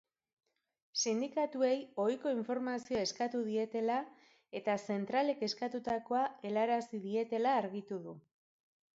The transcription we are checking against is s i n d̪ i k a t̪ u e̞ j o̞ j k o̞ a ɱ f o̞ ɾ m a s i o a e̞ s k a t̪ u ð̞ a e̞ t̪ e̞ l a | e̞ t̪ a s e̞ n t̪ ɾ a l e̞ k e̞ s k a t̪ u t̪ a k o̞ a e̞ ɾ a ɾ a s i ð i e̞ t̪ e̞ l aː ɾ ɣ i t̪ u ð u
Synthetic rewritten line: s i n d̪ i k a t̪ u e̞ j o̞ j k o̞ i ɱ f o̞ ɾ m a s i o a e̞ s k a t̪ u ð̞ i e̞ t̪ e̞ l a | e̞ t̪ a s e̞ n t̪ ɾ a l e̞ k e̞ s k a t̪ u t̪ a k o̞ a e̞ l a ɾ a s i ð i e̞ t̪ e̞ l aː ɾ ɣ i t̪ u ð u